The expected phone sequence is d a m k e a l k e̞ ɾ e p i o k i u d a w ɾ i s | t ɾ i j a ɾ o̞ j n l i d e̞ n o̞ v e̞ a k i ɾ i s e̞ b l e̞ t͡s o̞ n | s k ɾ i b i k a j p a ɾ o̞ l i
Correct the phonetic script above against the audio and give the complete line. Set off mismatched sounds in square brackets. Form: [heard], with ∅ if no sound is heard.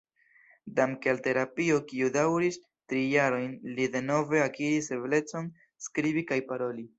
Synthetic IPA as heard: d a m k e a l [t] e̞ ɾ [a] p i o k i u d a w ɾ i s | t ɾ i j a ɾ o̞ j n l i d e̞ n o̞ v e̞ a k i ɾ i s e̞ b l e̞ t͡s o̞ n | s k ɾ i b i k a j p a ɾ o̞ l i